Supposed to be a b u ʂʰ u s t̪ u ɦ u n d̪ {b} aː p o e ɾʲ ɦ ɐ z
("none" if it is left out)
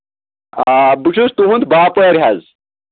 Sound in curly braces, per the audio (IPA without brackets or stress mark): b